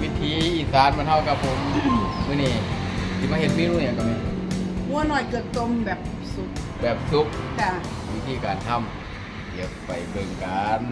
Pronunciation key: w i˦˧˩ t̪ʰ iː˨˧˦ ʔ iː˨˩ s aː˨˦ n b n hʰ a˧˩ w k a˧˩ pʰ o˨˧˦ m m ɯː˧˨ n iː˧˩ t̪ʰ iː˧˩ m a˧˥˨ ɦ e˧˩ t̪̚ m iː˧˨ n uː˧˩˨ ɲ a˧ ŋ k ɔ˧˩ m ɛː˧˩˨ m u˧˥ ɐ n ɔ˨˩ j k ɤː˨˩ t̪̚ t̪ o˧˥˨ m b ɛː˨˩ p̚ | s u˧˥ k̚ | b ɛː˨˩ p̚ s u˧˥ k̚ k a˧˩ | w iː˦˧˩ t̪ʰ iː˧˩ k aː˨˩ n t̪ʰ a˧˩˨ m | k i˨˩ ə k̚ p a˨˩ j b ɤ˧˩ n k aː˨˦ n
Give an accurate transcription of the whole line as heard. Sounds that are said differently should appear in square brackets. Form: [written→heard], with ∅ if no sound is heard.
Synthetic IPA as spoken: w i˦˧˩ t̪ʰ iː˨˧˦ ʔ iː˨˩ s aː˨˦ n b n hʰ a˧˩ w k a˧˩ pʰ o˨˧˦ m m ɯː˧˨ n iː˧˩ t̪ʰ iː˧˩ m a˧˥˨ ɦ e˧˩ t̪̚ m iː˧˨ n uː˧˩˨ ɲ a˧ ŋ k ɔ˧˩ m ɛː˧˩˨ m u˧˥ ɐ n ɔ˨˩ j k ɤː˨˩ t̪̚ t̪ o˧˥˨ m b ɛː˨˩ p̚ | s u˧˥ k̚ | b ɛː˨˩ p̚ s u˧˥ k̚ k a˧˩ | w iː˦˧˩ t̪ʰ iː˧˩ k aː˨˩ n t̪ʰ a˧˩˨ m | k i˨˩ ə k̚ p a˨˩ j b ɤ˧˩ [n→ŋ] k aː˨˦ n